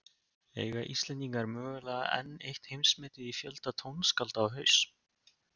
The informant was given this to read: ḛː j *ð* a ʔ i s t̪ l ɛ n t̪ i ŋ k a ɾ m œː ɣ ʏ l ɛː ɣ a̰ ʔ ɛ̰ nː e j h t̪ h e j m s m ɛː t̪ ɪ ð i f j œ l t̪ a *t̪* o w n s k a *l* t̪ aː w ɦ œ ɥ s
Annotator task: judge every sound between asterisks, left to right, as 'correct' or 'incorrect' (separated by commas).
incorrect, incorrect, correct